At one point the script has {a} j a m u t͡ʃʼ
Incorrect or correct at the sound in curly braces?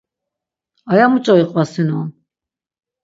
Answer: correct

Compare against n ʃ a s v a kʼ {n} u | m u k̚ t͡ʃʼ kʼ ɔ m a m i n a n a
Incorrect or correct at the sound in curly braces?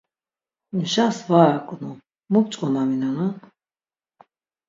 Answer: correct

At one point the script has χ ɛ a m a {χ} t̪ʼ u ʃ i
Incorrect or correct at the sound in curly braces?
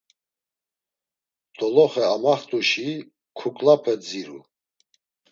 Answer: correct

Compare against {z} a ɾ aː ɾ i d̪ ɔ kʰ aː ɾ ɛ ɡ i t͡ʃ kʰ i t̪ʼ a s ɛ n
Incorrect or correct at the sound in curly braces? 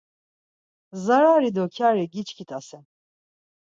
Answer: correct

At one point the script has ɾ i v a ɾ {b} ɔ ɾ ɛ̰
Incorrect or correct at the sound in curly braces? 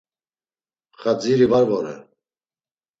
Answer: incorrect: v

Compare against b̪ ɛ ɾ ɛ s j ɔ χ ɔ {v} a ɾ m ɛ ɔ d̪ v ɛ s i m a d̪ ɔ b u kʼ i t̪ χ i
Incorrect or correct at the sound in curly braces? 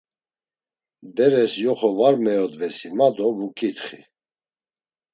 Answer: correct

